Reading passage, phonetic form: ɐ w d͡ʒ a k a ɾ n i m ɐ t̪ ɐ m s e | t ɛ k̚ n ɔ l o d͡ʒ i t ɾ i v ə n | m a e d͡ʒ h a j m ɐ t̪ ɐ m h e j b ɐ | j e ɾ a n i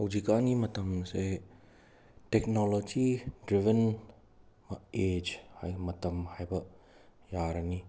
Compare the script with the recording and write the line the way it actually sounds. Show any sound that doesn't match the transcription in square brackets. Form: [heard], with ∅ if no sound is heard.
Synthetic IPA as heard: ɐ w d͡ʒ [i] k a [∅] n i m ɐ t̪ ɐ m s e | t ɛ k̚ n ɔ l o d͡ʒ i [d] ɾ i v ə n | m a e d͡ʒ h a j m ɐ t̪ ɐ m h [a] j b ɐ | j [a] ɾ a n i